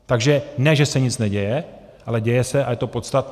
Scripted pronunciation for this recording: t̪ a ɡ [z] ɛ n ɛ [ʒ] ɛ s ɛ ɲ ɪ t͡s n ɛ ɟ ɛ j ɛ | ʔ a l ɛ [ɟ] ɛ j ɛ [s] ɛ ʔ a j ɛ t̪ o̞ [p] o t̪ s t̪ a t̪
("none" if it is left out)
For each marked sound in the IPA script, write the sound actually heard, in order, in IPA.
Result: ʒ, ʒ, ɟ, s, p

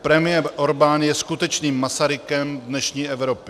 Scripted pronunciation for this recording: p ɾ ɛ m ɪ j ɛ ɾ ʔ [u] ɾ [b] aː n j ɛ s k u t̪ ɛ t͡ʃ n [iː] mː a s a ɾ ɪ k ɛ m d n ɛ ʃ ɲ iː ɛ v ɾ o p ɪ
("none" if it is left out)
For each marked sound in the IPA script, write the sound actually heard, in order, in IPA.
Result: o, b, iː

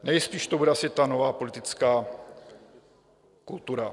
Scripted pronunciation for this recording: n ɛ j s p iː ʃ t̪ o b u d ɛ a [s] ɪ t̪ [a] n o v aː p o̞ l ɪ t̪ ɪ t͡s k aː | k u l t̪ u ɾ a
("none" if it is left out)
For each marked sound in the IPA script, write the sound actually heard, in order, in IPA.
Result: s, a

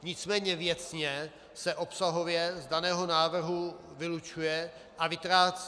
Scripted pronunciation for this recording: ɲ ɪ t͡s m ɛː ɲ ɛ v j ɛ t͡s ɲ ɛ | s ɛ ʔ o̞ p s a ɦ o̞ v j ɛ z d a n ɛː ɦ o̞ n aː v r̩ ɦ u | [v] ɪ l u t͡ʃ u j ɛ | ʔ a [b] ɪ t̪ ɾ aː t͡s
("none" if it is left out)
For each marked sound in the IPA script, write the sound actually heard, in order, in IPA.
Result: v, v

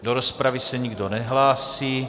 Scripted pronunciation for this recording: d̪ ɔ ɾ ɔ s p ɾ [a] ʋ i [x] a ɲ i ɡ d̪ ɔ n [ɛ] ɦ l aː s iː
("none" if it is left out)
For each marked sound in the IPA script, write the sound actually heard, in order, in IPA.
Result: a, s, ɛ

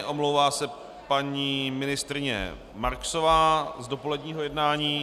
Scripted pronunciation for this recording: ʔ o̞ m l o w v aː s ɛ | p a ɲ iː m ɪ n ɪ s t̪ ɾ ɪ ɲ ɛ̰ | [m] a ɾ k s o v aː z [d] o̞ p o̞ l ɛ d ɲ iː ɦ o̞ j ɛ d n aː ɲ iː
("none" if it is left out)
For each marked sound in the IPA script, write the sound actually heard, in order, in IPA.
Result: m, d

